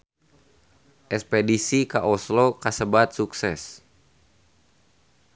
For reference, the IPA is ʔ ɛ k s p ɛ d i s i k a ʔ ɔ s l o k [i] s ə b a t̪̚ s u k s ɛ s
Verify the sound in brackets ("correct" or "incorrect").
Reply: incorrect